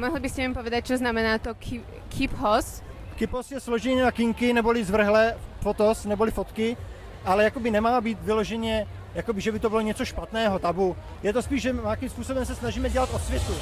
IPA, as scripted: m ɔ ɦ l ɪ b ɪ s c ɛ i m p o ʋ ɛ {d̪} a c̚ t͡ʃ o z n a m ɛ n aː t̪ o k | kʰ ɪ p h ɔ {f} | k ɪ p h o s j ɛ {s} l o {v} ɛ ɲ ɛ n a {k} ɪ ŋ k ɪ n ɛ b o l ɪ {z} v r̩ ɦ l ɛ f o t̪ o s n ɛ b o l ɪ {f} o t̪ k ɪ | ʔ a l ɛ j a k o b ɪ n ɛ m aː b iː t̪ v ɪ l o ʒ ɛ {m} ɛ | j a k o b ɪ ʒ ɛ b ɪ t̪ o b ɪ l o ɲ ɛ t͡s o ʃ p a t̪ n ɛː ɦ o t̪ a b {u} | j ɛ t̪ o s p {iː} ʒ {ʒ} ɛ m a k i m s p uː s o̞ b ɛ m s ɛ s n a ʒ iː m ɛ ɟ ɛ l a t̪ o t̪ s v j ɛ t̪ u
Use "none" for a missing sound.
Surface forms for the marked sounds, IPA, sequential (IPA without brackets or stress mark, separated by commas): d̪, s, s, ʒ, k, z, f, ɲ, u, iː, ʒ